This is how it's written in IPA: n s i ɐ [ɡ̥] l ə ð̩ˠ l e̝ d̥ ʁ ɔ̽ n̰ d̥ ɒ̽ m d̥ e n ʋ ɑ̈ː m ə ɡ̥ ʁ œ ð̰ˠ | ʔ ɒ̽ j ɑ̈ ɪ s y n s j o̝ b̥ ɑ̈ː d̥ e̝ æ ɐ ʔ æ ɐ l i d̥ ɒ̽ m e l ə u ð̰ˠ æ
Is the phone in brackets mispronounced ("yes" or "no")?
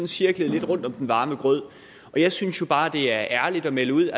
no